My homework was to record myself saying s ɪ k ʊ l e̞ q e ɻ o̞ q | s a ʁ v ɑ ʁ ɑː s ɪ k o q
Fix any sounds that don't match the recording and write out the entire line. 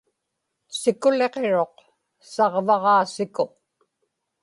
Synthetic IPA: s ɪ k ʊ l e̞ q e ɻ o̞ q | s ɑ ʁ v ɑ ʁ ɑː s ɪ k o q